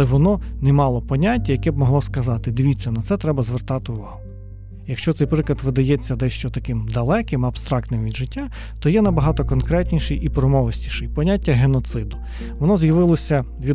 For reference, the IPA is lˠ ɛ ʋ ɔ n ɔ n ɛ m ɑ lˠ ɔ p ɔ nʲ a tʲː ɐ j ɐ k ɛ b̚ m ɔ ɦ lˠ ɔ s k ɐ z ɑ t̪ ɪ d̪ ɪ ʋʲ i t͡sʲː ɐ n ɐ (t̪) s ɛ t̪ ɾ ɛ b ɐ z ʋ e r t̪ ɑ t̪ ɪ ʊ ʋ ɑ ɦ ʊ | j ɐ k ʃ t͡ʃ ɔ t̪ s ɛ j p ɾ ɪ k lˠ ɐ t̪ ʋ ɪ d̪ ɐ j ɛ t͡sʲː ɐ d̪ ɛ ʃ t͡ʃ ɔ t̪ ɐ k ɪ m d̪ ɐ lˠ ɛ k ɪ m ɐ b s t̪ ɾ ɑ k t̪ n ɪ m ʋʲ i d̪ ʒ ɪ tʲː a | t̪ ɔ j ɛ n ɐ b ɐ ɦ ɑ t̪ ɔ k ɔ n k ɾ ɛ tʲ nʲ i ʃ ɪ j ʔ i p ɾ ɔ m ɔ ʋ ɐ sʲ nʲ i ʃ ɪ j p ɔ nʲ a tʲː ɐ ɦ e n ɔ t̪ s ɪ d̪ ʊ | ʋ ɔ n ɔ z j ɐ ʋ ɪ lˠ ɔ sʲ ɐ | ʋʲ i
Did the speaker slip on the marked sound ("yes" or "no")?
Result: no